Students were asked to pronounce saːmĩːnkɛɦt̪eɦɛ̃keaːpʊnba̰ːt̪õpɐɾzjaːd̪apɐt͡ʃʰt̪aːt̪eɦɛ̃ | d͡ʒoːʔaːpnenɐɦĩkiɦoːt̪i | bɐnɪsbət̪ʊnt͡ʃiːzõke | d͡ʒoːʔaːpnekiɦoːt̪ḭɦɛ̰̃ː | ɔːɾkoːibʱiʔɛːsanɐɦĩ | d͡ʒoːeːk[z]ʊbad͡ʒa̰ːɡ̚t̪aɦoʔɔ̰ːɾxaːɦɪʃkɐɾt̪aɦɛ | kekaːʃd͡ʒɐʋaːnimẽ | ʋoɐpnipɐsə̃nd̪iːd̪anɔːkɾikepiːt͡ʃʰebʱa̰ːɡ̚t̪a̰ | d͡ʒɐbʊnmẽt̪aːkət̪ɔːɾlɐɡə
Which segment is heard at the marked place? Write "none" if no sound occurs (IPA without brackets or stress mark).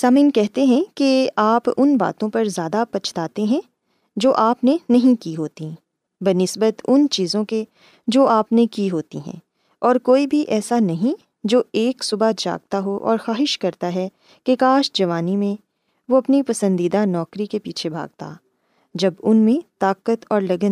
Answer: s